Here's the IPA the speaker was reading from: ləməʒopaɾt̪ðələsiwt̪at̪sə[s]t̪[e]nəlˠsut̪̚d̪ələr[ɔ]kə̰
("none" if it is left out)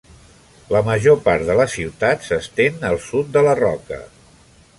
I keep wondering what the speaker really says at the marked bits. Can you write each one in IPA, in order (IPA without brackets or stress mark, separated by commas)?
s, e, ɔ